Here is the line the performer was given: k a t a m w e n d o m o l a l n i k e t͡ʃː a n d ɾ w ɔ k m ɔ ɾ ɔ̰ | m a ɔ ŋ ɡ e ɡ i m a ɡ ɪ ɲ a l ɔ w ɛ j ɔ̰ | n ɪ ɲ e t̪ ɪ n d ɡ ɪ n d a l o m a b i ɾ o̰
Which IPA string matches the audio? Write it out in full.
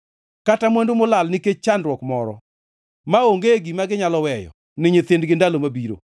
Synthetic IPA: k a t a m w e n d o m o l a l n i k e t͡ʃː a n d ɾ w ɔ k m ɔ ɾ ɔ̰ | m a o ŋ ɡ e ɡ i m a ɡ ɪ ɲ a l ɔ w ɛ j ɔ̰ | n ɪ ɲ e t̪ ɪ n d ɡ ɪ n d a l o m a b i ɾ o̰